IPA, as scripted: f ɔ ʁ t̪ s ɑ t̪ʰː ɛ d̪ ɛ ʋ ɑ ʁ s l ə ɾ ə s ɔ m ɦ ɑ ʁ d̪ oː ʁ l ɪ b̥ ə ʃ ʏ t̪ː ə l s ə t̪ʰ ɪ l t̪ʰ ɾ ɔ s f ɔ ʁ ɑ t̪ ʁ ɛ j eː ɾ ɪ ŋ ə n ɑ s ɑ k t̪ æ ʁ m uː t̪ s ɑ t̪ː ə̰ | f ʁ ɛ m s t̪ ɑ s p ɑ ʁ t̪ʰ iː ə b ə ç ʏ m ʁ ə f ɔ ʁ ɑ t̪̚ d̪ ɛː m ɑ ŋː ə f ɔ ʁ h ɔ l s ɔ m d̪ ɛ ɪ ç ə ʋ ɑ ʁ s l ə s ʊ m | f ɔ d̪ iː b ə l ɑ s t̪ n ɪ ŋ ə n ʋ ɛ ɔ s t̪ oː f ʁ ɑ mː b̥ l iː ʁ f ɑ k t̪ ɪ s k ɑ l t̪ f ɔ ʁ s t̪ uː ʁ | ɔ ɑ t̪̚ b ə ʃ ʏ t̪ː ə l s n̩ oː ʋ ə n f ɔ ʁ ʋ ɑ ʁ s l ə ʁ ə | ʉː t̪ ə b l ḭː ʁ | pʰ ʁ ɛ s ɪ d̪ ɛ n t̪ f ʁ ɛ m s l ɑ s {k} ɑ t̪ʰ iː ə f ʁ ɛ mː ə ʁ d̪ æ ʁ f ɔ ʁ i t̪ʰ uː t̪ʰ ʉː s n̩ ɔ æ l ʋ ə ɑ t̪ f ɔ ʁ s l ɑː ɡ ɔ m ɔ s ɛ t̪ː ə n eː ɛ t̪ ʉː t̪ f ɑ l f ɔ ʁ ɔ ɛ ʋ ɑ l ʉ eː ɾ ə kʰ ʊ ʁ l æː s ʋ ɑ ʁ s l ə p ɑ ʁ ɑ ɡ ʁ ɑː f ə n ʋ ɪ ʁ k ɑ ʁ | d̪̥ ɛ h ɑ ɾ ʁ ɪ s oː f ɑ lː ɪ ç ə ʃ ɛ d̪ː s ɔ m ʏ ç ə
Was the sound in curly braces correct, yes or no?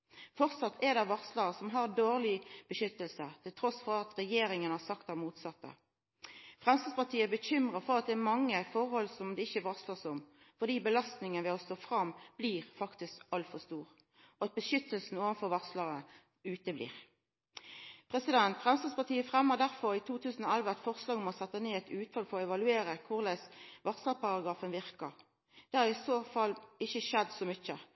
no